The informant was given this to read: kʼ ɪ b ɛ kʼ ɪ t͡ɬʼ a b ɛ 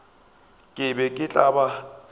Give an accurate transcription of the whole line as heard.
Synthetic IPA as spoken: kʼ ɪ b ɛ kʼ ɪ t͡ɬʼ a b a